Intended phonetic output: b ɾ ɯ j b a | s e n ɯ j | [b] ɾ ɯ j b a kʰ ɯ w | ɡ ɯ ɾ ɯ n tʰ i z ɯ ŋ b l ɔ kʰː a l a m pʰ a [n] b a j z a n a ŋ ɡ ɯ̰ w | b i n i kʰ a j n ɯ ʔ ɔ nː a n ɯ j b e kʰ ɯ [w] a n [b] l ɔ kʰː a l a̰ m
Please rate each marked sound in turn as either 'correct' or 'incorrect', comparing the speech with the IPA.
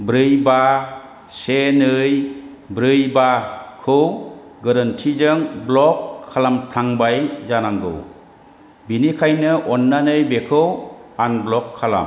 correct, incorrect, correct, correct

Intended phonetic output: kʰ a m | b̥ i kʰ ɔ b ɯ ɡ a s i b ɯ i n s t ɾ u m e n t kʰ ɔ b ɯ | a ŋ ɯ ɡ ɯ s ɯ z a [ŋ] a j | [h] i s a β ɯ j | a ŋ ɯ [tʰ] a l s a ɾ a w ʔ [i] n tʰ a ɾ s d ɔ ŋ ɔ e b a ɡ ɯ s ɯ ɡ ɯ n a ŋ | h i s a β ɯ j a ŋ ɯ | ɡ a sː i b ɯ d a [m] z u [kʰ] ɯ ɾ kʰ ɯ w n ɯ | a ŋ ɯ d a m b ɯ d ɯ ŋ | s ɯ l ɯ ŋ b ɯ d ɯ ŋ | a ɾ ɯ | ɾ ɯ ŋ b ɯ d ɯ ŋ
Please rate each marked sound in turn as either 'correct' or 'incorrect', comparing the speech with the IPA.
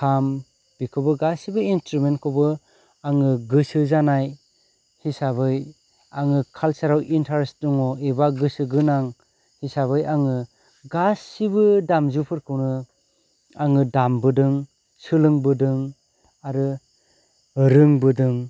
incorrect, correct, incorrect, correct, correct, incorrect

